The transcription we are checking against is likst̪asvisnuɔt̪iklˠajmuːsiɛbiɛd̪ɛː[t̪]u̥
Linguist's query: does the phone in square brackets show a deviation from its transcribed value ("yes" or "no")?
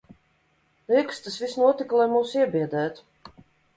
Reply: no